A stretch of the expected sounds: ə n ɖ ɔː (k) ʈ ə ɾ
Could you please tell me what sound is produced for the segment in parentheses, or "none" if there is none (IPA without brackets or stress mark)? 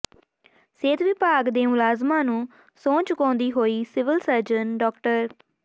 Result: k